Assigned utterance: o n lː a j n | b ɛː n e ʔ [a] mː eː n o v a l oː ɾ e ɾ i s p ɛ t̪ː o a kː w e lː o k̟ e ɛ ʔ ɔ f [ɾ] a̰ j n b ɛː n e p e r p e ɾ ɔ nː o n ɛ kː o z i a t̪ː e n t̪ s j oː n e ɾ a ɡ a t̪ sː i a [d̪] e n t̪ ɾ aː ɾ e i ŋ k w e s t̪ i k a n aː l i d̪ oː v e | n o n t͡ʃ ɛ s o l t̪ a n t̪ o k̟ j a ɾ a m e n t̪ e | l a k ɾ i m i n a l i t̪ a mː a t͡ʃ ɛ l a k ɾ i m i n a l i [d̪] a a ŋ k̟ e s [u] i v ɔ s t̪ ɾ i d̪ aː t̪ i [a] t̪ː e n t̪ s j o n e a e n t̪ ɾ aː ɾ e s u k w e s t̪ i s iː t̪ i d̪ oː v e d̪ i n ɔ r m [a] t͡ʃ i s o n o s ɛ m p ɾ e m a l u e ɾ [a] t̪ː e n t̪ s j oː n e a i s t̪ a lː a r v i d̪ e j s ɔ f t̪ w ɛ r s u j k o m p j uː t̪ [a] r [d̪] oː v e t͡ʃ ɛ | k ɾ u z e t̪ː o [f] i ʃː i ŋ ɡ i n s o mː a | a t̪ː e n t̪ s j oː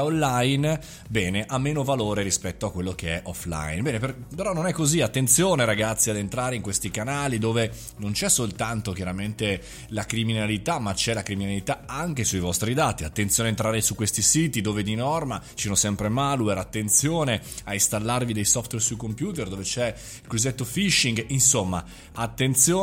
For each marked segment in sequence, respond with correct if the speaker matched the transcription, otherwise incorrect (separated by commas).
correct, incorrect, correct, incorrect, correct, correct, correct, correct, incorrect, correct, correct